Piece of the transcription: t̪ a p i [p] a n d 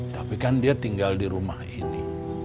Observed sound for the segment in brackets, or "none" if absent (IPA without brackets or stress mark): k